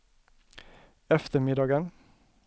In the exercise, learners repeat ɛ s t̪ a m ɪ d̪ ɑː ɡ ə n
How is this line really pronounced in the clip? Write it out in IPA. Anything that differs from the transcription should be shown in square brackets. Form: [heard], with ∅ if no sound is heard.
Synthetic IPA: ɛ [f] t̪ [ə] m ɪ d̪ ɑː ɡ ə n